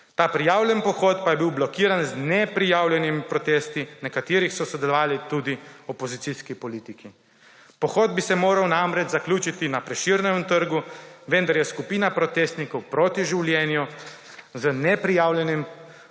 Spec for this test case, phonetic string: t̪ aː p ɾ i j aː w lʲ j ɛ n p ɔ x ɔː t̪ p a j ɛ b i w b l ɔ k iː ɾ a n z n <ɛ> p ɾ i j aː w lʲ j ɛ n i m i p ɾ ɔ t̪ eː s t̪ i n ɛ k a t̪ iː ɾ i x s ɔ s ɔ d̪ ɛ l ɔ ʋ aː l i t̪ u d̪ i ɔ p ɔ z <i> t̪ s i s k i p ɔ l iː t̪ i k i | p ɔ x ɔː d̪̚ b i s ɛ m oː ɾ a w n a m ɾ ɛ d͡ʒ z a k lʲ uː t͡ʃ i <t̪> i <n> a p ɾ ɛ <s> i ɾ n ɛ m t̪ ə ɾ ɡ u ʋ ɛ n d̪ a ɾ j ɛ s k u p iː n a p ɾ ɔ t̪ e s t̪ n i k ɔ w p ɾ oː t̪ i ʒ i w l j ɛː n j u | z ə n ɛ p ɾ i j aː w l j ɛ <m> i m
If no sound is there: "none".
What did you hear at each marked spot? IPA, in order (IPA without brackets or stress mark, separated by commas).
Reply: ɛ, i, t̪, n, ʃ, n